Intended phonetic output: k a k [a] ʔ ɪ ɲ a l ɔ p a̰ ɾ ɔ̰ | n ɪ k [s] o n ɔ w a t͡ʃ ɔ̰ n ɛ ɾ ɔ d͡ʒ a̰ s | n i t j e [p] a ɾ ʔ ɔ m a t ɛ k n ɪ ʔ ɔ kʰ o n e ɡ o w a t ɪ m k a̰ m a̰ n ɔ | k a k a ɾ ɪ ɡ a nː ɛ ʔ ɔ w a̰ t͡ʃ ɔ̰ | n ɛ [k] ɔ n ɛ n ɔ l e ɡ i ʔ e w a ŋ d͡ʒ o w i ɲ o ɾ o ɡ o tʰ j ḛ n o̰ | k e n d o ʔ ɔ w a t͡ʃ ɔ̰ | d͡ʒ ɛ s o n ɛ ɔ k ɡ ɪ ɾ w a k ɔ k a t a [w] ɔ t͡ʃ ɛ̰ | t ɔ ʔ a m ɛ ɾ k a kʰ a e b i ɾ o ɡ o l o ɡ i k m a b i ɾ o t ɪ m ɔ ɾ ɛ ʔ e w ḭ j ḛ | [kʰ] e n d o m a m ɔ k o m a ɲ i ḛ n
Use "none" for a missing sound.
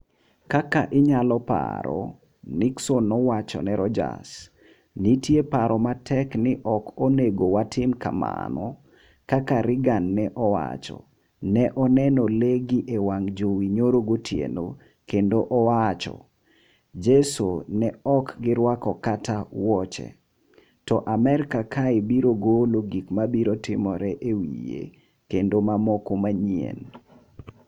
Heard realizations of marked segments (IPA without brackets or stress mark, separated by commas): a, s, p, ʔ, w, k